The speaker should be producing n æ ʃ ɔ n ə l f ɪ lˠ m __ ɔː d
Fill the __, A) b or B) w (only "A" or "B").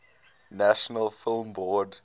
A